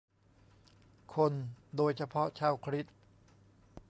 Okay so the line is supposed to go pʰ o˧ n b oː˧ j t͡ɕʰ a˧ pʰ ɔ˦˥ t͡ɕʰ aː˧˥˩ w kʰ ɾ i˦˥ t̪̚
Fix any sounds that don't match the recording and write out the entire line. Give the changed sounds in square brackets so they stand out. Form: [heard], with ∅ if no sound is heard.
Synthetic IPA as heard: [kʰ] o˧ n [d] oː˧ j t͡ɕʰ a˧ pʰ ɔ˦˥ t͡ɕʰ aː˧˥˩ w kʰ ɾ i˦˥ t̪̚